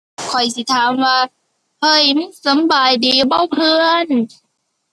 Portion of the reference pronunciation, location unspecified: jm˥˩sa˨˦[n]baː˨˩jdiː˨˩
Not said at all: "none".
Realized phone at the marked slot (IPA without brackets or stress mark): m